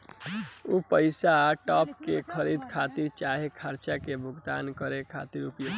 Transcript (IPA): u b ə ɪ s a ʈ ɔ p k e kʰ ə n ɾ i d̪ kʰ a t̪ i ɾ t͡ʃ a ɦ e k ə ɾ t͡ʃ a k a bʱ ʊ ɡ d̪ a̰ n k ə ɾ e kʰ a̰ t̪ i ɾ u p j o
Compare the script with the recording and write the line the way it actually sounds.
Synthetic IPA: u p ə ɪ s a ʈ ɔ p k e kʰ ə ɾ i d̪ kʰ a t̪ i ɾ t͡ʃ a ɦ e kʰ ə ɾ t͡ʃ a k e bʱ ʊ ɡ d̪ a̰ n k ə ɾ e kʰ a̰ t̪ i ɾ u p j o